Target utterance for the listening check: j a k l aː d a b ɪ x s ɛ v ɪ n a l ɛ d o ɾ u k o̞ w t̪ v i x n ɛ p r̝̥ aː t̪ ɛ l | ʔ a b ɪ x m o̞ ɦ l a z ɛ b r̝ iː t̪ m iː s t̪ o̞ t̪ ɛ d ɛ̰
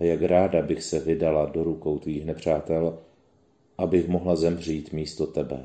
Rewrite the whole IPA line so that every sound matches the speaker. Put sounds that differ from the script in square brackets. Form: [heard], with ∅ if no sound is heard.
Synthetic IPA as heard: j a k [ɾ] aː d a b ɪ x s ɛ v ɪ [d] a l [a] d o ɾ u k o̞ w t̪ v [iː] x n ɛ p r̝̥ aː t̪ ɛ l | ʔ a b ɪ x m o̞ ɦ l a z ɛ [m] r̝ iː t̪ m iː s t̪ o̞ t̪ ɛ [b] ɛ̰